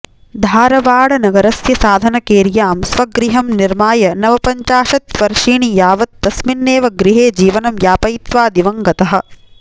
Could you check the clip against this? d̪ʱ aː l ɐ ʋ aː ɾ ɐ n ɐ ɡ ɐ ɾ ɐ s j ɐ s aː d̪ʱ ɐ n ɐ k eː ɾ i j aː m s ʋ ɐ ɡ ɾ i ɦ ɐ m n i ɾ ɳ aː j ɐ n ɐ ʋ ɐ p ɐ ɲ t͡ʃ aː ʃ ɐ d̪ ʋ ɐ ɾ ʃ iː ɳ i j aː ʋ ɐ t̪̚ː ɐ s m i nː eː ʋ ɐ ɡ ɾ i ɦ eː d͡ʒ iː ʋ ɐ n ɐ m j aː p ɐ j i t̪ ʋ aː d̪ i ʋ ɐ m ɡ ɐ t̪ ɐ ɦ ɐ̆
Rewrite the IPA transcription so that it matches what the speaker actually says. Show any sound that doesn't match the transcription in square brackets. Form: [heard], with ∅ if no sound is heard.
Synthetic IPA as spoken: d̪ʱ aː [ɾ] ɐ ʋ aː [ɽ] ɐ n ɐ ɡ ɐ ɾ ɐ s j ɐ s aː d̪ʱ ɐ n ɐ k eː ɾ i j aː m s ʋ ɐ ɡ ɾ i ɦ ɐ m n i ɾ [m] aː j ɐ n ɐ ʋ ɐ p ɐ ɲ t͡ʃ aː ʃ ɐ [t̪] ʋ ɐ ɾ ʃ iː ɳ i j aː ʋ ɐ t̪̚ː ɐ s m i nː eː ʋ ɐ ɡ ɾ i ɦ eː d͡ʒ iː ʋ ɐ n ɐ m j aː p ɐ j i t̪ ʋ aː d̪ i ʋ ɐ [ŋ] ɡ ɐ t̪ ɐ ɦ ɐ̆